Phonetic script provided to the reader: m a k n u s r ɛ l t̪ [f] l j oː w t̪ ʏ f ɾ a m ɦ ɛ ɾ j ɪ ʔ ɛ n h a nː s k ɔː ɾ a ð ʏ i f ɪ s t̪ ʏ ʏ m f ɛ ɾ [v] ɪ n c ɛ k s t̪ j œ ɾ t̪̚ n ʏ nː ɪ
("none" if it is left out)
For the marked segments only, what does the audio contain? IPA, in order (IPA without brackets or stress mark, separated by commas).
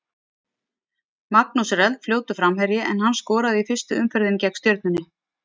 f, ð